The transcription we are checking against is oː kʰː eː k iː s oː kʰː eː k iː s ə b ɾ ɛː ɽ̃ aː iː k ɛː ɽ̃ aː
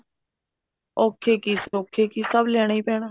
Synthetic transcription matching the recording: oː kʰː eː k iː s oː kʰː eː k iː s ə b l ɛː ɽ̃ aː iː p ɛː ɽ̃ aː

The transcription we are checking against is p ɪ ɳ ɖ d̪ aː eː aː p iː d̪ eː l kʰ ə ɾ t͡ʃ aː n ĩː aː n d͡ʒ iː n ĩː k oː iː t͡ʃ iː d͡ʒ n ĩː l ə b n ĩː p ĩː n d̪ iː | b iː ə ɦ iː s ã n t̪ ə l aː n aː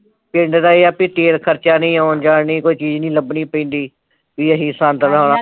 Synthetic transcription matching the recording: p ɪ ɳ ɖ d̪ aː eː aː p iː t̪ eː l kʰ ə ɾ t͡ʃ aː n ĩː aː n d͡ʒ aː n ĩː k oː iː t͡ʃ iː d͡ʒ n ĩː l ə b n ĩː p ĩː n d̪ iː | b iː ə ɦ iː s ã n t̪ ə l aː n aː

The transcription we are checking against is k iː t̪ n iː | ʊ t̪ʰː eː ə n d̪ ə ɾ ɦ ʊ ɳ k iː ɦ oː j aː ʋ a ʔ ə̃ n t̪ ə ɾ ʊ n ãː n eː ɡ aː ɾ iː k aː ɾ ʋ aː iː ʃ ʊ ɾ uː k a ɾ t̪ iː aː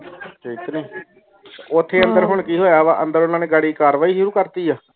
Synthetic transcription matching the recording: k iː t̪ n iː | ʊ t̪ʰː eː ə n d̪ ə ɾ ɦ ʊ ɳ k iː ɦ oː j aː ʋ a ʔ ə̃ n d̪ ə ɾ ʊ n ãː n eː ɡ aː ɽ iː k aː ɾ ʋ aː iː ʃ ʊ ɾ uː k ə ɾ t̪ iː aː

